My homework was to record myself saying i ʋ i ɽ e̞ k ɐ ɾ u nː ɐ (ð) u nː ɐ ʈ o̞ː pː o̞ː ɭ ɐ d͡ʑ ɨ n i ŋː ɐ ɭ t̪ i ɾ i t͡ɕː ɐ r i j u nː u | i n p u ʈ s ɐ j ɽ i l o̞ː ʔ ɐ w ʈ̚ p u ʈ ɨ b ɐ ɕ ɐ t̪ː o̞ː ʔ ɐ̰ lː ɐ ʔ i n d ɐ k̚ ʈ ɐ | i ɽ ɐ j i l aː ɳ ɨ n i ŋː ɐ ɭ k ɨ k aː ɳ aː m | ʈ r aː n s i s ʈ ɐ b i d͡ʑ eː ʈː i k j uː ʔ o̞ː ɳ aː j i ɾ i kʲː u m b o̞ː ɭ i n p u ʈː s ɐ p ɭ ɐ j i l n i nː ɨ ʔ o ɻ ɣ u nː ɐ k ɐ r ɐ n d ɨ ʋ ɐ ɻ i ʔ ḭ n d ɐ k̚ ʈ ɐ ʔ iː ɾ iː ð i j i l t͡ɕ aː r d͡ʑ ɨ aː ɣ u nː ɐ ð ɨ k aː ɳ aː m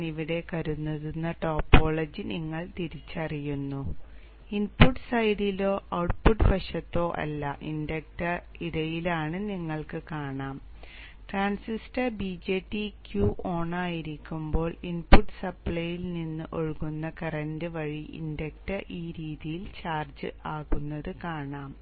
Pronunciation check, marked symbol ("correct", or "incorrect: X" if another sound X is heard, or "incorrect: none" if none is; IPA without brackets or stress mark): correct